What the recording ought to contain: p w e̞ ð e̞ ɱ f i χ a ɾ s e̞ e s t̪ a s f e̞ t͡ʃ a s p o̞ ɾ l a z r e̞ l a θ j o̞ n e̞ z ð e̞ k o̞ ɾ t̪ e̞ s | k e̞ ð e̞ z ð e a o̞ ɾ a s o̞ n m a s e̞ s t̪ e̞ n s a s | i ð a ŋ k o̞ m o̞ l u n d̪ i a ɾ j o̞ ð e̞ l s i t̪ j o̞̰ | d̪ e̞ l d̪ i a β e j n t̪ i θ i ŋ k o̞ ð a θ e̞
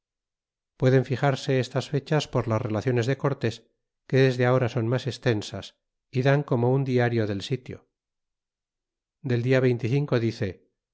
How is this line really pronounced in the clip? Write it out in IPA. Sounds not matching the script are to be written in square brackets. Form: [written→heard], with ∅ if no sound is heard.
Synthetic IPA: p w e̞ ð e̞ ɱ f i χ a ɾ s e̞ e s t̪ a s f e̞ t͡ʃ a s p o̞ ɾ l a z r e̞ l a θ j o̞ n e̞ z ð e̞ k o̞ ɾ t̪ e̞ s | k e̞ ð e̞ z ð e a o̞ ɾ a s o̞ n m a s e̞ s t̪ e̞ n s a s | i ð a ŋ k o̞ m o̞ [l→∅] u n d̪ i a ɾ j o̞ ð e̞ l s i t̪ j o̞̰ | d̪ e̞ l d̪ i a β e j n t̪ i θ i ŋ k o̞ ð [a→i] θ e̞